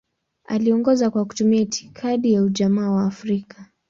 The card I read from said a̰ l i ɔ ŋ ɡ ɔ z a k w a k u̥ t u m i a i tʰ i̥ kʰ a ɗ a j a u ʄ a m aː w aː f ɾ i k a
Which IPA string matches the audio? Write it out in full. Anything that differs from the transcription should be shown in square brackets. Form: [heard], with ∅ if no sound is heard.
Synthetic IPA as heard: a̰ l i ɔ ŋ ɡ ɔ z a k w a k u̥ t u m i a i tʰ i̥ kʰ a ɗ [i] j a u ʄ a m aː w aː f ɾ i k a